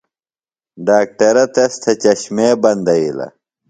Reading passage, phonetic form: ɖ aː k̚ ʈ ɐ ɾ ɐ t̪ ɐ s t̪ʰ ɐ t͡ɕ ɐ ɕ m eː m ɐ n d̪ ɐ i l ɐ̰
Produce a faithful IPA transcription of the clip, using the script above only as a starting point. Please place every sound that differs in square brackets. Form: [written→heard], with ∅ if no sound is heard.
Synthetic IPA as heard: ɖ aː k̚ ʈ ɐ ɾ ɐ t̪ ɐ s t̪ʰ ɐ t͡ɕ ɐ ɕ m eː [m→b] ɐ n d̪ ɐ i l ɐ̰